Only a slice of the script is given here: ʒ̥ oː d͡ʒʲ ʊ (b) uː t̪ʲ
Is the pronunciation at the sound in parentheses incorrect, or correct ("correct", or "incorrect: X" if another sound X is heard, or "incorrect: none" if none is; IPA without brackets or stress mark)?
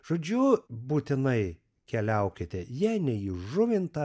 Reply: correct